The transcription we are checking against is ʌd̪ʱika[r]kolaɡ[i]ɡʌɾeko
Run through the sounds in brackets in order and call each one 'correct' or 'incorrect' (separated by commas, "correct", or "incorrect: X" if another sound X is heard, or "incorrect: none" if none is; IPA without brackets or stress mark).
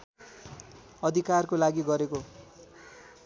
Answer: correct, correct